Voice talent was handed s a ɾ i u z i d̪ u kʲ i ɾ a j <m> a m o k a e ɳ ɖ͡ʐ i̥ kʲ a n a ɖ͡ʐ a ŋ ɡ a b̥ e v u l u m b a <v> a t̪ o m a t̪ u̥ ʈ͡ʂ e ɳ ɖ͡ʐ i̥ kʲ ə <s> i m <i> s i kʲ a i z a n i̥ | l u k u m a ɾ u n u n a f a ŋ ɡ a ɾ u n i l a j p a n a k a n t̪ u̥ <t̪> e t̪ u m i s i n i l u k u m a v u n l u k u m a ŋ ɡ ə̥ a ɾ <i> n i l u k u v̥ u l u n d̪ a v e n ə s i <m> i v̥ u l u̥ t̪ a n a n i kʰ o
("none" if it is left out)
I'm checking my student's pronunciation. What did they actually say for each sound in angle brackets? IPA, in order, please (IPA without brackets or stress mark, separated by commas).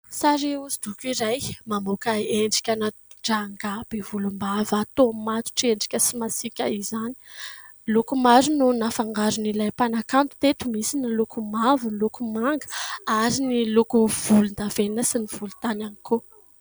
m, v, s, a, t̪, i, n